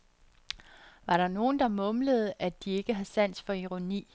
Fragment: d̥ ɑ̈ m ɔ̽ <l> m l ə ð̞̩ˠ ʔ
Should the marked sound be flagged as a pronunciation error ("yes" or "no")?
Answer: yes